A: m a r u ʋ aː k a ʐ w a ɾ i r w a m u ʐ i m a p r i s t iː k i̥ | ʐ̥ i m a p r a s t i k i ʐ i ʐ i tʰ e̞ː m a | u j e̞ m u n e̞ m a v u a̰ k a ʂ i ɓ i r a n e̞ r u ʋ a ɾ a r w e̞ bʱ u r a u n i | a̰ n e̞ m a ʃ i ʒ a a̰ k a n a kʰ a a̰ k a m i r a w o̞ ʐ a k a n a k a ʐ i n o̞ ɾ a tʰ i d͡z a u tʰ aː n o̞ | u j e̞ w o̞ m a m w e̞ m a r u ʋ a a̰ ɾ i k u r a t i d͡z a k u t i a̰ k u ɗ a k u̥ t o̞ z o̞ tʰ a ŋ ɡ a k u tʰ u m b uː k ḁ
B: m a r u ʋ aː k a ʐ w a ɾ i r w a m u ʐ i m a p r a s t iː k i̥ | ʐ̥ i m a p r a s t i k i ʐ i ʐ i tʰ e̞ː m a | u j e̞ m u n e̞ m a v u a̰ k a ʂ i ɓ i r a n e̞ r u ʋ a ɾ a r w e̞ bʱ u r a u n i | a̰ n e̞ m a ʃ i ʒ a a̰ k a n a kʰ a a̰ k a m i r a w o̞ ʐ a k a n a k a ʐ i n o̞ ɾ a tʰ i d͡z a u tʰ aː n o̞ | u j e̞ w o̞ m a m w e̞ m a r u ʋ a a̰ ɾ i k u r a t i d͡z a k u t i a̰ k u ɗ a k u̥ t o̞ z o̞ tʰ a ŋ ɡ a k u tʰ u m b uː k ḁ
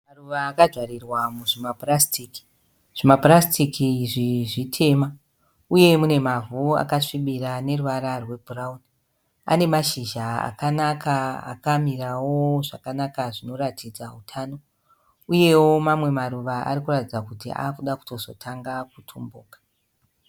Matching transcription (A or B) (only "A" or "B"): B